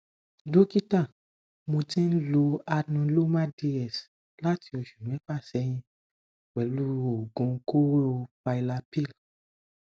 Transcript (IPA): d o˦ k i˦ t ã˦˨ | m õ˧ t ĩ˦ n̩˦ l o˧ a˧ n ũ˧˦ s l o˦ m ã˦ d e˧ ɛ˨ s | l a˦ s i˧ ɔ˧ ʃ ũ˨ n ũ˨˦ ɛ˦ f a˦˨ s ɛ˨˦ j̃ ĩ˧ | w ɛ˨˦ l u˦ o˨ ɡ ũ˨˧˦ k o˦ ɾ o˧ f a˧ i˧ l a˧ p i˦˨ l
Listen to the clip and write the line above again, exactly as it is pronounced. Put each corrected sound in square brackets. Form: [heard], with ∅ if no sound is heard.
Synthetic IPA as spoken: d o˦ k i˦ t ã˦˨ | m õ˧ t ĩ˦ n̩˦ l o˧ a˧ n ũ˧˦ [∅] l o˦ m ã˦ d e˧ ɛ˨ s | l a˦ [t] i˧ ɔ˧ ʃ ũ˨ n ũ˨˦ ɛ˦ f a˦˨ s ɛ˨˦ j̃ ĩ˧ | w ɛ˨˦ l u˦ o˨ ɡ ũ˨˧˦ k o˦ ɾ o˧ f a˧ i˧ l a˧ p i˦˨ l

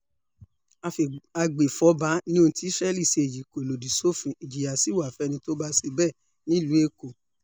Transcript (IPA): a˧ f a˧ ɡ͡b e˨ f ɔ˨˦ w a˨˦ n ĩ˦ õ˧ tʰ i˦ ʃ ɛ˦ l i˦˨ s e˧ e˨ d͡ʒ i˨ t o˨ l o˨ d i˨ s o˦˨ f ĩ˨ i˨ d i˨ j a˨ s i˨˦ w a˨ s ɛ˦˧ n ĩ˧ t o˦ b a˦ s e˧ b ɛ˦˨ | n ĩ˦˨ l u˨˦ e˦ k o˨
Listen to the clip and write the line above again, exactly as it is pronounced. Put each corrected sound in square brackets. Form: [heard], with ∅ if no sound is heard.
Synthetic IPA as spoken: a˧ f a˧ ɡ͡b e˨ f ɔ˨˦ [b] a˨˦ n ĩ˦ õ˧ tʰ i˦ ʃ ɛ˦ l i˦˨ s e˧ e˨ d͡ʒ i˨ [k] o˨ l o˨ d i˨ s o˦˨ f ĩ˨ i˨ [d͡ʒ] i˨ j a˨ s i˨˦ w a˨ [f] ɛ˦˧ n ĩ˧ t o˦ b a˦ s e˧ b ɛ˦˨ | n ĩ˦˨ l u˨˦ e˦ k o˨

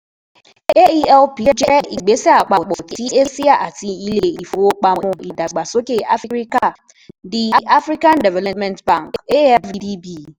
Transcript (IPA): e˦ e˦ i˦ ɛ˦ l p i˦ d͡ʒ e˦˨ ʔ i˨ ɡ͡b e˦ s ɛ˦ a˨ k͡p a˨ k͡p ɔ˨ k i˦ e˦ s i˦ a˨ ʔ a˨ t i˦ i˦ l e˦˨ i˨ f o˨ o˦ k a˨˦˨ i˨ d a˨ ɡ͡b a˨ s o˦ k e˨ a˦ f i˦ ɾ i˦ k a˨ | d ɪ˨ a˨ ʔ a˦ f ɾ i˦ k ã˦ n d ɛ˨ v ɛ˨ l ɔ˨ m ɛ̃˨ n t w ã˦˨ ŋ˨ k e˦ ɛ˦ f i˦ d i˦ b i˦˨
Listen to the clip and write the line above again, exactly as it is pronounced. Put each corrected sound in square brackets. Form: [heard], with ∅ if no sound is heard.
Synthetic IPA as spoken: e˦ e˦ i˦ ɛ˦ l p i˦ d͡ʒ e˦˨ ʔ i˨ ɡ͡b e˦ s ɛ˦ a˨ k͡p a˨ k͡p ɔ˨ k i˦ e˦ s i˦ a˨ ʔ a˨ t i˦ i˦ l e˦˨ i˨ f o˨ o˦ [k͡p] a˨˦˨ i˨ d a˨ ɡ͡b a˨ s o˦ k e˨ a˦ f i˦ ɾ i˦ k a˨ | d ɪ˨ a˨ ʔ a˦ f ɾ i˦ k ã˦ n d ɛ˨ v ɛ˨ l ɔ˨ m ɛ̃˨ n t [b] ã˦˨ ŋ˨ k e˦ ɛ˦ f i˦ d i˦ b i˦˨

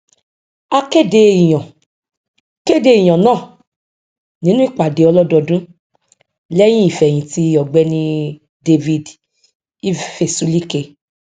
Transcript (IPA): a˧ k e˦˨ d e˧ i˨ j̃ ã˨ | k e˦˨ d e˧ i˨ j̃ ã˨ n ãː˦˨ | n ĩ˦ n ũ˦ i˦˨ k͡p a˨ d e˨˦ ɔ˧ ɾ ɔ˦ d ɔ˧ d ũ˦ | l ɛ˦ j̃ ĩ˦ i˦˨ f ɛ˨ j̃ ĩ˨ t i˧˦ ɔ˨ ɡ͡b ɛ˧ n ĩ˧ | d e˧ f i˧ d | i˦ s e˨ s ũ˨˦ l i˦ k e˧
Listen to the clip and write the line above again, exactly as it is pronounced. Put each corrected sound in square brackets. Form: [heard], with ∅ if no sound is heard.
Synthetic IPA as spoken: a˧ k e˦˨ d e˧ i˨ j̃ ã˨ | k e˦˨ d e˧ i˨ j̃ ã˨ n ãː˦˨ | n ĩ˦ n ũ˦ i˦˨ k͡p a˨ d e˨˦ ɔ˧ [l] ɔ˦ d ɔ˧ d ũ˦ | l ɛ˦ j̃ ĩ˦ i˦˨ f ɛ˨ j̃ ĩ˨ t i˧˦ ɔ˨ ɡ͡b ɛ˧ n ĩ˧ | d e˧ [v] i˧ d | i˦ [f] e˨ s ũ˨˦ l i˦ k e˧

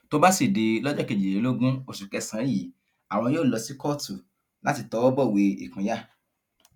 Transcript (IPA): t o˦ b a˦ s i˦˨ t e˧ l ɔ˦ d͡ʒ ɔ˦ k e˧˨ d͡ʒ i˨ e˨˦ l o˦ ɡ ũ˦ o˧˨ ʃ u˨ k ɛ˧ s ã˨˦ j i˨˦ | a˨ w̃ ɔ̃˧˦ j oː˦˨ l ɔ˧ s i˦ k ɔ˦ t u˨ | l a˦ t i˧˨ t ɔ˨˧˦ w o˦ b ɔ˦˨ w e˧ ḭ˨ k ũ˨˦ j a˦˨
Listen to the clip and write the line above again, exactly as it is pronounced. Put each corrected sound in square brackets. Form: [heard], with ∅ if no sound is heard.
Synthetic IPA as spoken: t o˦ b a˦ s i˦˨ [d] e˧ l ɔ˦ d͡ʒ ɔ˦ k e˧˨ d͡ʒ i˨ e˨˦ l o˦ ɡ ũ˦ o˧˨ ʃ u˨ k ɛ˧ s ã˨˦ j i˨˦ | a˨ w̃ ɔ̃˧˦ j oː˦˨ l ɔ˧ s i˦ k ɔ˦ t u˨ | l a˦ t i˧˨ t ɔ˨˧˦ w [ɔ˦] b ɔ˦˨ w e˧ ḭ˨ k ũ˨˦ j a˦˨

